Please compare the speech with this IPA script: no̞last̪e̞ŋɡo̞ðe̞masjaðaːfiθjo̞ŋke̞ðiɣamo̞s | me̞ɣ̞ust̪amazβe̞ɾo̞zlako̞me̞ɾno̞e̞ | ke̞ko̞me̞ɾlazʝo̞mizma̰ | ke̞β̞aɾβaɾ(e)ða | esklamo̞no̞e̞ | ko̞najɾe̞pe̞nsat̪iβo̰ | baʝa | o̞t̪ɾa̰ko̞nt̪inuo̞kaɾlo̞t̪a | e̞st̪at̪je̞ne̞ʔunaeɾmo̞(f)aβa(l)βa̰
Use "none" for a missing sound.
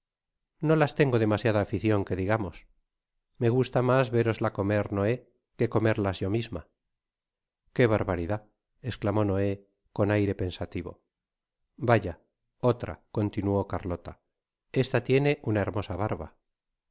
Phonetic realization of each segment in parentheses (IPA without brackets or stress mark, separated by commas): i, s, ɾ